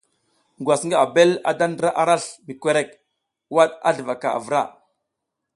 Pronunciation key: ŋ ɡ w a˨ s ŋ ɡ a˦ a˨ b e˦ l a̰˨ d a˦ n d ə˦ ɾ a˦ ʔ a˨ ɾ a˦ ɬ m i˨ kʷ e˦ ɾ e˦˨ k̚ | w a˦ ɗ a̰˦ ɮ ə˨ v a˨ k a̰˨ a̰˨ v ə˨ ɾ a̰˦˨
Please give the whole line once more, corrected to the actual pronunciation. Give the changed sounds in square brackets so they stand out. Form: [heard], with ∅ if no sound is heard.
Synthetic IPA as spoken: ŋ ɡ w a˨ s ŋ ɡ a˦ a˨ b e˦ l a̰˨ d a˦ n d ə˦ ɾ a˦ ʔ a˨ ɾ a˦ ɬ m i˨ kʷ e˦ ɾ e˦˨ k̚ | w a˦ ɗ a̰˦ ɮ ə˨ v a˨ k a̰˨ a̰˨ v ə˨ ɾ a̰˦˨

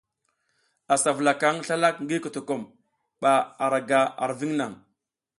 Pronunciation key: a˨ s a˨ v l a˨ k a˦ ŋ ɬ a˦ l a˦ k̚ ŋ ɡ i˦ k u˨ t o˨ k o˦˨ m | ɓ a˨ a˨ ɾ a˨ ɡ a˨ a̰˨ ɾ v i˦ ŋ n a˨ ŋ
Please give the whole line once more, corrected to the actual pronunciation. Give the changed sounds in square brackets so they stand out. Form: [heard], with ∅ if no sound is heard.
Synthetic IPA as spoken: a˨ s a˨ v l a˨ k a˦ ŋ ɬ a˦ l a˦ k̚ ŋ ɡ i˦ k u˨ t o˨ k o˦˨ m | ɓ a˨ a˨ ɾ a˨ ɡ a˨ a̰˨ ɾ v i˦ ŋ n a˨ ŋ

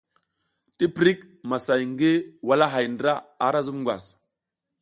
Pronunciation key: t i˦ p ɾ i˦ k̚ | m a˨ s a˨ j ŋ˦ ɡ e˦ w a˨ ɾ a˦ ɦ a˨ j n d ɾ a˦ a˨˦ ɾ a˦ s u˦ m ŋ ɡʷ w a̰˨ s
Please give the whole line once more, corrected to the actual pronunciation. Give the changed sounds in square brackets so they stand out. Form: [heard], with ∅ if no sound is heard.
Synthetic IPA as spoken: t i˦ p ɾ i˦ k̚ | m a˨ s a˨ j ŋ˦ ɡ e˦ w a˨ [l] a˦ ɦ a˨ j n d ɾ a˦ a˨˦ ɾ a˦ [z] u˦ m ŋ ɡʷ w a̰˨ s

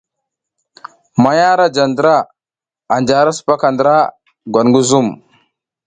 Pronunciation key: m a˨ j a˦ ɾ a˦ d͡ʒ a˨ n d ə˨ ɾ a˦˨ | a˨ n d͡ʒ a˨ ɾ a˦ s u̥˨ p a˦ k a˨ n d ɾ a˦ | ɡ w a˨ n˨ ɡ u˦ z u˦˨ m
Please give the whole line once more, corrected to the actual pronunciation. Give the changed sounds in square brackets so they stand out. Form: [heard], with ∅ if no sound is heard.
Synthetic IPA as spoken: m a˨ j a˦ ɾ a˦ d͡ʒ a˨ n d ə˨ ɾ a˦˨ | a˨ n d͡ʒ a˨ ɾ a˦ s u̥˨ p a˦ k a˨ n d ɾ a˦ | ɡ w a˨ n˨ ɡ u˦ z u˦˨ m

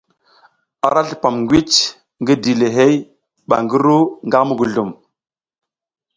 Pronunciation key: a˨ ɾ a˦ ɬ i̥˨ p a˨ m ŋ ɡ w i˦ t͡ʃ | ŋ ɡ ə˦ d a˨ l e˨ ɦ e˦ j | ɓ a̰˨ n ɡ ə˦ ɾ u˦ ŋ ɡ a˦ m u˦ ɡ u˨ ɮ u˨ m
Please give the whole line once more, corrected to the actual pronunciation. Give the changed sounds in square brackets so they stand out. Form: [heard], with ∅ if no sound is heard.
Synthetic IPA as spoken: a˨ ɾ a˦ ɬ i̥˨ p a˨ m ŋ ɡ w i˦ t͡ʃ | ŋ ɡ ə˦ d [i˨] l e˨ ɦ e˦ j | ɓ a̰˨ [ŋ] ɡ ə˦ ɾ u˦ ŋ ɡ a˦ m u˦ ɡ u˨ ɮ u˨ m

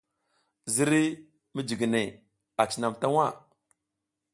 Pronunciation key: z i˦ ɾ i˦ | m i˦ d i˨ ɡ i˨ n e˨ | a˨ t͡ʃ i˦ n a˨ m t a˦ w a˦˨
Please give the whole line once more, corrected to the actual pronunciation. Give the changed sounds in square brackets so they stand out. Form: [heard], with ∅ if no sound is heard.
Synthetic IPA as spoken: z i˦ ɾ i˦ | m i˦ [d͡ʒ] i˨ ɡ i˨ n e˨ | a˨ t͡ʃ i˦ n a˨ m t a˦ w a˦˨

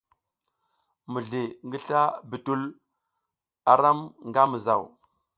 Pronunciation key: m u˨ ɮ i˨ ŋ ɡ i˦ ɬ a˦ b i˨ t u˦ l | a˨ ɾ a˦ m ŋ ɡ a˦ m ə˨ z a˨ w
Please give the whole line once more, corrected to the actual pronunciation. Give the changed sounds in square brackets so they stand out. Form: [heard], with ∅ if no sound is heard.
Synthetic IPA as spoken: m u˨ ɮ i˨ ŋ ɡ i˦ ɬ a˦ b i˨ t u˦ l | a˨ ɾ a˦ m ŋ ɡ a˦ m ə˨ z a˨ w

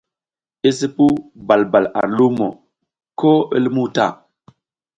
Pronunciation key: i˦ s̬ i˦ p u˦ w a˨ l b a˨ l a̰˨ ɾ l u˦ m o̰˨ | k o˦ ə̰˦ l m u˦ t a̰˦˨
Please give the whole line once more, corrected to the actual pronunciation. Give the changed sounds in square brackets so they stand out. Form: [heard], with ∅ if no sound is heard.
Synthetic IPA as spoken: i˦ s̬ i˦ p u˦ [b] a˨ l b a˨ l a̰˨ ɾ l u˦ m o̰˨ | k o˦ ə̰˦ l m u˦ t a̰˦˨

